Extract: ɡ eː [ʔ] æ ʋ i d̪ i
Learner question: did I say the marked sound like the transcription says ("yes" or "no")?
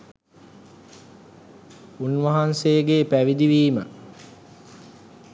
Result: no